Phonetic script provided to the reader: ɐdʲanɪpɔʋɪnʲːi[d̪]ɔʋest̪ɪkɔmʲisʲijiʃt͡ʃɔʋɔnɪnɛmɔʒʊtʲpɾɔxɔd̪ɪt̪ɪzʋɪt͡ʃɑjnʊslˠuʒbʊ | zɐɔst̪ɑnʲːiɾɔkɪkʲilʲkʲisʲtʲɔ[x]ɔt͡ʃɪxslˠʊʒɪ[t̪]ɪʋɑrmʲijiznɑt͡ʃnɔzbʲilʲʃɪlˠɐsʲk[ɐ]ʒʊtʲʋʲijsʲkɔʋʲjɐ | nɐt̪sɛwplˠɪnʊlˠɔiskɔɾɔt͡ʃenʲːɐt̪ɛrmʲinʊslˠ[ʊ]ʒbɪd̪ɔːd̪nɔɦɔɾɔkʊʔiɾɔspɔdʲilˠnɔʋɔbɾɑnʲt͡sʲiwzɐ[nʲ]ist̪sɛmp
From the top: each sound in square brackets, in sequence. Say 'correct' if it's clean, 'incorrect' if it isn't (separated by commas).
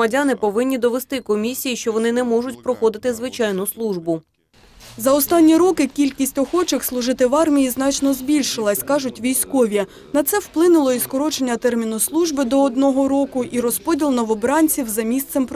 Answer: correct, correct, correct, incorrect, incorrect, incorrect